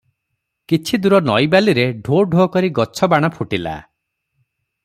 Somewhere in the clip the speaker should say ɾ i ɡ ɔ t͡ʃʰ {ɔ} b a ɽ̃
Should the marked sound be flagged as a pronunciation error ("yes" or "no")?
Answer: no